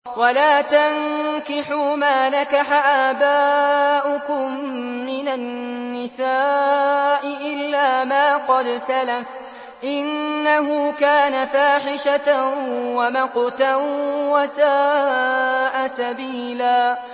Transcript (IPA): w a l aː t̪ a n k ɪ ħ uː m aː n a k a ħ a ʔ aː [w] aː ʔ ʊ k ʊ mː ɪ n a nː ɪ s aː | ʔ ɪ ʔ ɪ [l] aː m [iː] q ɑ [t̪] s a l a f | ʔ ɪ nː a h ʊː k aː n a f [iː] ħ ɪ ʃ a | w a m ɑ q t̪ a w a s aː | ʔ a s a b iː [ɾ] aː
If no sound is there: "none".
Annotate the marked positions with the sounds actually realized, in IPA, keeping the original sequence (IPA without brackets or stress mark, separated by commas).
b, lː, aː, d̪, aː, l